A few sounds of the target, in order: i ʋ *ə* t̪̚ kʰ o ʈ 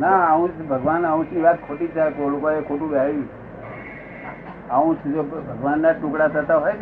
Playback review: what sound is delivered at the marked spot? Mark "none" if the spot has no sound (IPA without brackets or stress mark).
a